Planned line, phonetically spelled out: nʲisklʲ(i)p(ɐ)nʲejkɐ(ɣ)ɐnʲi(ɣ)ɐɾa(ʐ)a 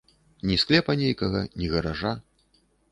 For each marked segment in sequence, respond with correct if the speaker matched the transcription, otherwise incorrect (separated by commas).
incorrect, correct, correct, correct, correct